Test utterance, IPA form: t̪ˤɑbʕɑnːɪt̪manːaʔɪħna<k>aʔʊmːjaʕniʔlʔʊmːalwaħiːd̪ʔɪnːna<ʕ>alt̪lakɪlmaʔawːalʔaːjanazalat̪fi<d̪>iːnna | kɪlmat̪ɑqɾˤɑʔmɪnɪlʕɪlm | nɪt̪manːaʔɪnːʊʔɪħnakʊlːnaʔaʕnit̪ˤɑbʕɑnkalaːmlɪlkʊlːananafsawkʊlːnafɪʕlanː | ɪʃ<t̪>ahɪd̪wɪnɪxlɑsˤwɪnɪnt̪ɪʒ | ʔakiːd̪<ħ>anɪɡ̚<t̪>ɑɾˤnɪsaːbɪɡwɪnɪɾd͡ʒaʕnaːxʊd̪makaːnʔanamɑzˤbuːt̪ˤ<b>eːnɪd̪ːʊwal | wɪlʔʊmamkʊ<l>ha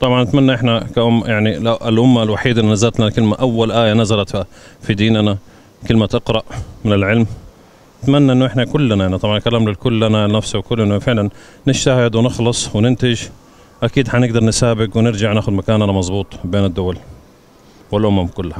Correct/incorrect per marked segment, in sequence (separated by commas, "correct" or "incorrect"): correct, incorrect, correct, correct, correct, incorrect, correct, incorrect